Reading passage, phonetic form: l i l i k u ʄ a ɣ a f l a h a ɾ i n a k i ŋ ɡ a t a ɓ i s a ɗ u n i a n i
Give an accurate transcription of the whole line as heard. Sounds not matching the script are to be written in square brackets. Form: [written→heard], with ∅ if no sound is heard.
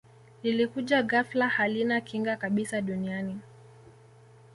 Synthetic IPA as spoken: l i l i k u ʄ a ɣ a f l a h a [ɾ→l] i n a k i ŋ ɡ a [t→k] a ɓ i s a ɗ u n i a n i